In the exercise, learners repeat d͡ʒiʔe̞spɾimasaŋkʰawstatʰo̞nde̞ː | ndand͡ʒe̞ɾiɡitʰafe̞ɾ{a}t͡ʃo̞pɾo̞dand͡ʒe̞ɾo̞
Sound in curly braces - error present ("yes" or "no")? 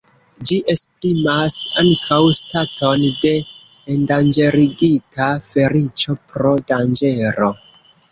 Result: yes